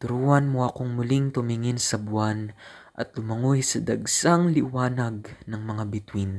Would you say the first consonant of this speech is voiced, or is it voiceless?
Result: voiceless